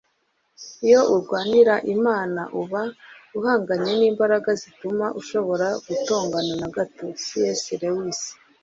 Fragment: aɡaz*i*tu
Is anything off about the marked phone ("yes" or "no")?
no